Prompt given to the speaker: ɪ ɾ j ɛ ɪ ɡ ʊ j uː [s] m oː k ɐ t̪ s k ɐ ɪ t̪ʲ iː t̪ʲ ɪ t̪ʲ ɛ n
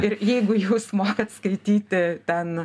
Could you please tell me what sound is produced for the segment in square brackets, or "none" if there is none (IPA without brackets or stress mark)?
s